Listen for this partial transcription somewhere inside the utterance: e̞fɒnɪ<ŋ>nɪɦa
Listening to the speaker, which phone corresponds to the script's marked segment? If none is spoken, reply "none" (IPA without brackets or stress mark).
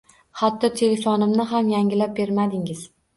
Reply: m